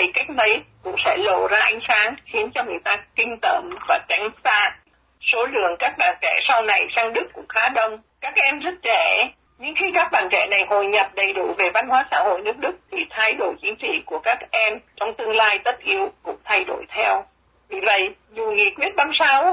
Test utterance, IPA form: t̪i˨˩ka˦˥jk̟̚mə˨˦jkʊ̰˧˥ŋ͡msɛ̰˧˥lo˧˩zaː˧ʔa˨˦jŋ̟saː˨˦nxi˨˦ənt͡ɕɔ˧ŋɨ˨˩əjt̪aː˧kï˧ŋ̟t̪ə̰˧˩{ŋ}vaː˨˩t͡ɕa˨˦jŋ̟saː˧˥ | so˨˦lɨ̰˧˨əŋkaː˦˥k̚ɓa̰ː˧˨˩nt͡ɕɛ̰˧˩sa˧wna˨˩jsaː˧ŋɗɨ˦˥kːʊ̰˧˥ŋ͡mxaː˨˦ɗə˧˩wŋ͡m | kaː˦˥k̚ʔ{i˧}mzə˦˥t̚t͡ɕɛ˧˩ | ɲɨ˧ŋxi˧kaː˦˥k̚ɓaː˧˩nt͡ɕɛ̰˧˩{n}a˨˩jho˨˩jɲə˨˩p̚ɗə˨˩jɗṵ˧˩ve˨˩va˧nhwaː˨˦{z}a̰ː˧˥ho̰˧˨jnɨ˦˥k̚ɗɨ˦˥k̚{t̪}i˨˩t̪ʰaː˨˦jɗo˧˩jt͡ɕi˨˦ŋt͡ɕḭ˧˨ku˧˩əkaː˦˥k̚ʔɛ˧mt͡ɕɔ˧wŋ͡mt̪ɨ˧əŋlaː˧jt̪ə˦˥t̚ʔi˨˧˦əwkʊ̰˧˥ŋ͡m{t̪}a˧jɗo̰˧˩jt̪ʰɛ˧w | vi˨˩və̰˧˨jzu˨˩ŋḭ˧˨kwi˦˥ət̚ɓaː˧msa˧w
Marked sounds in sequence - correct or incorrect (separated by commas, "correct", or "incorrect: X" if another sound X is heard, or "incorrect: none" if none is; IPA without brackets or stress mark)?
incorrect: m, incorrect: ɛ˧, correct, incorrect: s, incorrect: t̪ʰ, incorrect: t̪ʰ